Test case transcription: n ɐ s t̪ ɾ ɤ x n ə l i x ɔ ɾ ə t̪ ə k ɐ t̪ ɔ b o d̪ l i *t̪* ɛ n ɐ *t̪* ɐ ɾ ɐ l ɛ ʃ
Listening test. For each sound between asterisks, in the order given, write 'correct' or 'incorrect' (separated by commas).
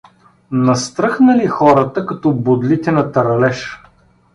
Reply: correct, correct